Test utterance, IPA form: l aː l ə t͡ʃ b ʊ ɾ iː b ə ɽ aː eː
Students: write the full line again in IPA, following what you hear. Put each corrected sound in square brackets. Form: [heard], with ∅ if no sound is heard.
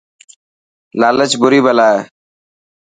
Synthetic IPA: l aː l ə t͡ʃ b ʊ ɾ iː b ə [l] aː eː